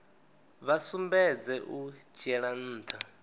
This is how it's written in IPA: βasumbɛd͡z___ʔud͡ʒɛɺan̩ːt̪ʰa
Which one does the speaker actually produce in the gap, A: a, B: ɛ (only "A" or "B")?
B